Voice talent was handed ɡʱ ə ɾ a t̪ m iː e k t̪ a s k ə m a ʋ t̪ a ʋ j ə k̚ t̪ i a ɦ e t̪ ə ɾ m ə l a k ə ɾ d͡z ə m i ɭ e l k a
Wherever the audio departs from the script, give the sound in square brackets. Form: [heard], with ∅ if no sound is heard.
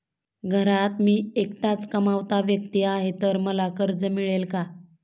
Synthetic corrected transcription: ɡʱ ə ɾ a t̪ m iː e k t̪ a [t͡s] k ə m a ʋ t̪ a ʋ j ə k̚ t̪ i a ɦ e t̪ ə ɾ m ə l a k ə ɾ d͡z ə m i ɭ e l k a